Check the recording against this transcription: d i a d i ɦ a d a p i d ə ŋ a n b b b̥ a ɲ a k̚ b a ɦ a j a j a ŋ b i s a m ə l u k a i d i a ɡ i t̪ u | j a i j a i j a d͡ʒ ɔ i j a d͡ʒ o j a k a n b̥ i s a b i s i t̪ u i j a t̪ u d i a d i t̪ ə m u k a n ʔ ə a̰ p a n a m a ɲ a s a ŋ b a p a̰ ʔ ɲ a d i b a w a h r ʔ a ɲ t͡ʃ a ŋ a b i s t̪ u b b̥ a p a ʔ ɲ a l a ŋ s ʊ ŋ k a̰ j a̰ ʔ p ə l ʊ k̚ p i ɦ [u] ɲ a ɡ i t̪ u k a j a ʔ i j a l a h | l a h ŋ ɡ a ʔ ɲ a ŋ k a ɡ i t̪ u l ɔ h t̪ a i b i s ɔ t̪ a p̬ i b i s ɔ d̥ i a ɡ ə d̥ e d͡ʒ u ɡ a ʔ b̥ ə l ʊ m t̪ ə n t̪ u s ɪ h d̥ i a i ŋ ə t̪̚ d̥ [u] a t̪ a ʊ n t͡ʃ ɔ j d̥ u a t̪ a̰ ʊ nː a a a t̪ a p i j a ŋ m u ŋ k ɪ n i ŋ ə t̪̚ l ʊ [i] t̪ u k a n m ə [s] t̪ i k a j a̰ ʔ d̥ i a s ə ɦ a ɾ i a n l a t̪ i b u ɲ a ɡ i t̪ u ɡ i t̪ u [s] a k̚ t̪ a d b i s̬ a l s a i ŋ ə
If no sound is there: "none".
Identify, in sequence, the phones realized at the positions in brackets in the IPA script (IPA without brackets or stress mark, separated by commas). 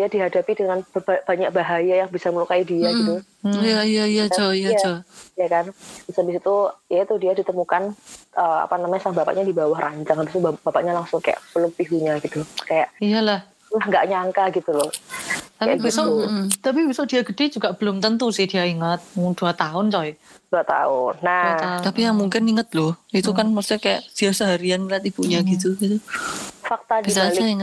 u, u, i, s, f